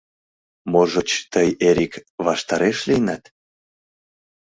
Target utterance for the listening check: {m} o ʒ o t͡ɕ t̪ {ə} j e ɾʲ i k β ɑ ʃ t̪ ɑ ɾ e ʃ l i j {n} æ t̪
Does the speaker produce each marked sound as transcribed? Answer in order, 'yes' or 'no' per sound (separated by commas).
yes, yes, yes